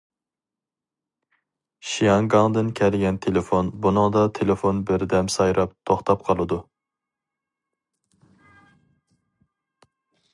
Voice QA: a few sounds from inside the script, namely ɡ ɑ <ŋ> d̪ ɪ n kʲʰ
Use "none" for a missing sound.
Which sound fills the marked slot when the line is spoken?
ŋ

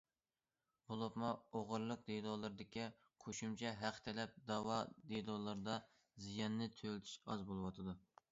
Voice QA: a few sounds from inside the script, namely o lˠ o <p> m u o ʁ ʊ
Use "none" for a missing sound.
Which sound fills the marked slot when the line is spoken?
p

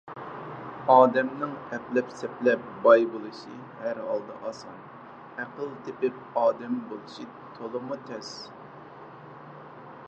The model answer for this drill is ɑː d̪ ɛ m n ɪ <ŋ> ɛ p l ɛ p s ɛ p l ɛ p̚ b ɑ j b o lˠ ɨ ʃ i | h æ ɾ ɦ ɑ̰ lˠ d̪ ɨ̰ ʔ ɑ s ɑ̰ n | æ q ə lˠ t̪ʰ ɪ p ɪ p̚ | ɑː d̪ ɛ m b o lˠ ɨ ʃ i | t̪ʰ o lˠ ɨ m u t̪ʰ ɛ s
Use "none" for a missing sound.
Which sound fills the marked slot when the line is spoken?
ŋ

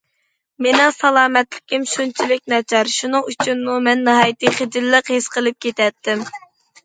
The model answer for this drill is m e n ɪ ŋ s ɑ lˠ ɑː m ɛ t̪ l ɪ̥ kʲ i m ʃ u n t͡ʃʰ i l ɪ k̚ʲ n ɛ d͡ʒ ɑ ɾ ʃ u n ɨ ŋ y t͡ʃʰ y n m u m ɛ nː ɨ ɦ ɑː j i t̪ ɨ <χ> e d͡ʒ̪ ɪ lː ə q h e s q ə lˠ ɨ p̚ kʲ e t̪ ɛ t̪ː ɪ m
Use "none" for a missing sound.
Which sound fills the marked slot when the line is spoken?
χ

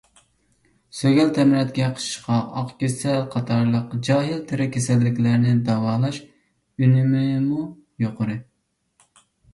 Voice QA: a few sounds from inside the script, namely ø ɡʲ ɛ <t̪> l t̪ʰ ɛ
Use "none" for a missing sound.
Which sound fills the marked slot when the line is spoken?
none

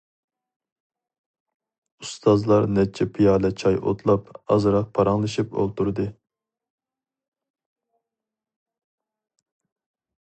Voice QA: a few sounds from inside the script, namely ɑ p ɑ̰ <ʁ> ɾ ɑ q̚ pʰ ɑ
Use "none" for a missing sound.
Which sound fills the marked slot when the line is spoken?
z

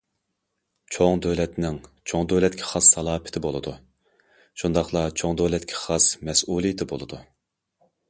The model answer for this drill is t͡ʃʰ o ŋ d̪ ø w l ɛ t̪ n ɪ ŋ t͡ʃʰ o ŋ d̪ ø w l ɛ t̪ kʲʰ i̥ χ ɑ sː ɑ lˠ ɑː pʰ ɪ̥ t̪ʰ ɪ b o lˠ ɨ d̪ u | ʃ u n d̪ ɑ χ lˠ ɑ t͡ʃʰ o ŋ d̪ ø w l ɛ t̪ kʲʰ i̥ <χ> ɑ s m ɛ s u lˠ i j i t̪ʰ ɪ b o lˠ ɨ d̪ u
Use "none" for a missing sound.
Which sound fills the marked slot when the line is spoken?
χ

